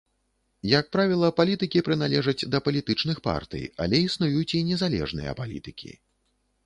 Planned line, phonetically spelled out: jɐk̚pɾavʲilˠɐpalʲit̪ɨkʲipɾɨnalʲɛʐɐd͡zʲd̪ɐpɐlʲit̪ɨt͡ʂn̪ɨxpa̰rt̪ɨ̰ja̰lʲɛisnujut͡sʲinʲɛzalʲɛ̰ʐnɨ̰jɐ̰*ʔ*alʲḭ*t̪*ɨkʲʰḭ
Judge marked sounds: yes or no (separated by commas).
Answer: no, yes